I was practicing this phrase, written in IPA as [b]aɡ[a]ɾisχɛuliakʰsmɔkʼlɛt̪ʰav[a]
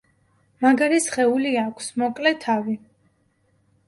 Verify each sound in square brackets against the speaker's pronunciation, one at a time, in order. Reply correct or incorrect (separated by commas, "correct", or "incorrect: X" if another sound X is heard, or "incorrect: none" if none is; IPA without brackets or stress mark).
incorrect: m, correct, incorrect: i